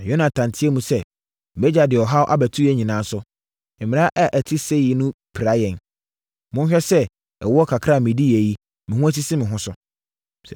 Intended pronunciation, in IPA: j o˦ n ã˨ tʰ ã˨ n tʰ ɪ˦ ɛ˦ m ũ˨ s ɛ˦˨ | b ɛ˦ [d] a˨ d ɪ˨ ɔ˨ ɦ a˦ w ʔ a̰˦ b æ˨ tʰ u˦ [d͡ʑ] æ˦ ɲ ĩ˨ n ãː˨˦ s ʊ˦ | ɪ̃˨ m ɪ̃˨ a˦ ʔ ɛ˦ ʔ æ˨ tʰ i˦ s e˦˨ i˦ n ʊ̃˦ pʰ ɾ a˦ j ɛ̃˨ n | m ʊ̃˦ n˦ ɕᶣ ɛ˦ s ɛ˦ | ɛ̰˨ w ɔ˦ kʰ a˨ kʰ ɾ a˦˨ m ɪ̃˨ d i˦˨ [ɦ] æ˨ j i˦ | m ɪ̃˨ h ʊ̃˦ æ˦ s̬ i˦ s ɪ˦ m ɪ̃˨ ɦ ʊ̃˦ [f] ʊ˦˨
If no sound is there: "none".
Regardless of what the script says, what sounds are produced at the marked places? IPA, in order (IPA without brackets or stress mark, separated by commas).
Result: d͡ʑ, none, none, s